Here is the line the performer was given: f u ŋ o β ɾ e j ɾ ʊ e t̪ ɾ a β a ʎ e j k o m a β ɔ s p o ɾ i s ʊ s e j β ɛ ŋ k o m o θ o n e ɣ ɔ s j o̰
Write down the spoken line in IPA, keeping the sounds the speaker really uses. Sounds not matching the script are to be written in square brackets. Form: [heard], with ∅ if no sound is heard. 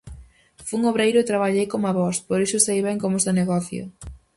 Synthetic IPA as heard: f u ŋ o β ɾ e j ɾ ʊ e t̪ ɾ a β a ʎ e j k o m a β ɔ s p o ɾ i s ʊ s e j β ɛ ŋ k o m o [s] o n e ɣ ɔ [θ] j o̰